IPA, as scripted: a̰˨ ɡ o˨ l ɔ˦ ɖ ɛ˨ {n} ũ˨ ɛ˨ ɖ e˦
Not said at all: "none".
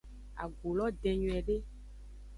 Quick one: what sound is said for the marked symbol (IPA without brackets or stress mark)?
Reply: ɲ